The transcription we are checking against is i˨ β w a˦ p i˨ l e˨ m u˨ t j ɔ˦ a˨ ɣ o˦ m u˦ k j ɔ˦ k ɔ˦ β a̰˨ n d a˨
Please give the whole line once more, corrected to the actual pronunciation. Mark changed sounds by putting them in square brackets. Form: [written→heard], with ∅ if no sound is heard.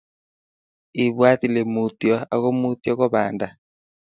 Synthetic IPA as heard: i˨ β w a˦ [p→t] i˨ l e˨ m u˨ t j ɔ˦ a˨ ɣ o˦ m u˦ [k→t] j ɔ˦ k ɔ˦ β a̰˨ n d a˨